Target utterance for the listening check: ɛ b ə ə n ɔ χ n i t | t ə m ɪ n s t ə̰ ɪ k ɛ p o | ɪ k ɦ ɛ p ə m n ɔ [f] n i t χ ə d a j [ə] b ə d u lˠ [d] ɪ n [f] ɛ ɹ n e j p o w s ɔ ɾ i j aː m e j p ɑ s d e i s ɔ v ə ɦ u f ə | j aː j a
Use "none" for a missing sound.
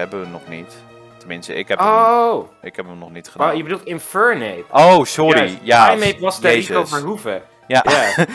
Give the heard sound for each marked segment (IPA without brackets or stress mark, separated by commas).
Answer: χ, ə, t, f